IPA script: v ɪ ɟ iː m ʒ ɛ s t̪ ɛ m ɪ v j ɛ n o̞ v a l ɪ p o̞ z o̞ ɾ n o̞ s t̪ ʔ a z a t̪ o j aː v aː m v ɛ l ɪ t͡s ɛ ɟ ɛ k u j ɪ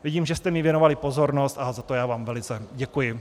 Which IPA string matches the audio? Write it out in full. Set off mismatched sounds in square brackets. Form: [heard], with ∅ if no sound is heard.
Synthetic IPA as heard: v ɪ ɟ iː m ʒ ɛ s t̪ ɛ m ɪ v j ɛ n o̞ v a l ɪ p o̞ z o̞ ɾ n o̞ s t̪ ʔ a z a t̪ o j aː v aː m v ɛ l ɪ t͡s ɛ ɟ ɛ k u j ɪ